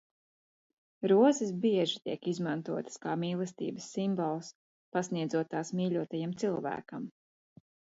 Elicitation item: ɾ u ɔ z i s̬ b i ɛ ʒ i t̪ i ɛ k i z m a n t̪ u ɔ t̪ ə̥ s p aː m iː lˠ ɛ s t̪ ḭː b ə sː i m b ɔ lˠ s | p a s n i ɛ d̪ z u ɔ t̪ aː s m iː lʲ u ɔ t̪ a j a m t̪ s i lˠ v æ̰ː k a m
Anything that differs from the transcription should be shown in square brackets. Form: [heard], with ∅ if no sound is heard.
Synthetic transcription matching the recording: ɾ u ɔ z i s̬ b i ɛ ʒ i t̪ i ɛ k i z m a n t̪ u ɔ t̪ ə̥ s [k] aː m iː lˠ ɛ s t̪ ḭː b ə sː i m b ɔ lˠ s | p a s n i ɛ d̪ z u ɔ t̪ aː s m iː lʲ u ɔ t̪ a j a m t̪ s i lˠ v æ̰ː k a m